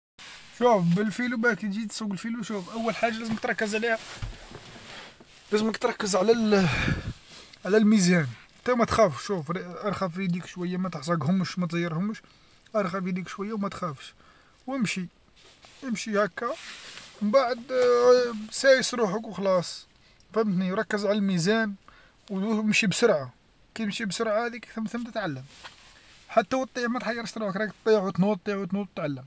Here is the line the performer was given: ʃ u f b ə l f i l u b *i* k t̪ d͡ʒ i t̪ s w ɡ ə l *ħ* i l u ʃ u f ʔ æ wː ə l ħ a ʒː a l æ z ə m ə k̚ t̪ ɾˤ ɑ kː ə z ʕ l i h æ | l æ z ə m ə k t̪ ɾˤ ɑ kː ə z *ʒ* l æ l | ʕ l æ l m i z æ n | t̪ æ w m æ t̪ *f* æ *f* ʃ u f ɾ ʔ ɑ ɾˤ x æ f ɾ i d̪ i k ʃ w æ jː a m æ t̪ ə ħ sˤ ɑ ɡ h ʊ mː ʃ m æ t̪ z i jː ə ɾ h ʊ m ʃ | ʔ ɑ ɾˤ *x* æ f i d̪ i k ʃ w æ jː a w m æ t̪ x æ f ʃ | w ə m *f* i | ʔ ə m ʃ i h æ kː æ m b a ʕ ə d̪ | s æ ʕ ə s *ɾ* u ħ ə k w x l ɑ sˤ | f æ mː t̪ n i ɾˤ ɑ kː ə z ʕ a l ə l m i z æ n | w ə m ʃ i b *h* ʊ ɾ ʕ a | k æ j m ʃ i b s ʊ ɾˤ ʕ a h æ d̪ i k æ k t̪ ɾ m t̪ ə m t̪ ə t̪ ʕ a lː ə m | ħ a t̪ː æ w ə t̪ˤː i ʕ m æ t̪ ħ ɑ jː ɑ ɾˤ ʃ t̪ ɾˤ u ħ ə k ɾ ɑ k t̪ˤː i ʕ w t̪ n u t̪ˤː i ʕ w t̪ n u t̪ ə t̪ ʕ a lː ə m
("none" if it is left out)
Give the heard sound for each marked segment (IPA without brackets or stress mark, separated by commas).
æ, f, ʕ, x, f, x, ʃ, ɾ, s